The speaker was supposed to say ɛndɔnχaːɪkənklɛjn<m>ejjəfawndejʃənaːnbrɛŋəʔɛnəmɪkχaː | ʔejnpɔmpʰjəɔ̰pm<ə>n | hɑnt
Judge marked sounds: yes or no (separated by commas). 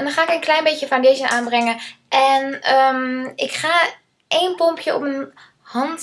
no, yes